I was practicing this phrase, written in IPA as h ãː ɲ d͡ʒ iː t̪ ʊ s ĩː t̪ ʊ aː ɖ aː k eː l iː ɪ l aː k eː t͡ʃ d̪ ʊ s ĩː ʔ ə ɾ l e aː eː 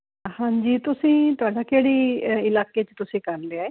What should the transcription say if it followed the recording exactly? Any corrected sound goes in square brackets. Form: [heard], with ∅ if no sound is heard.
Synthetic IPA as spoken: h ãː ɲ d͡ʒ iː t̪ ʊ s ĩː t̪ ʊ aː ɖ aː k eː [ɽ] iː ɪ l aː k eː t͡ʃ [t̪] ʊ s ĩː [k] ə ɾ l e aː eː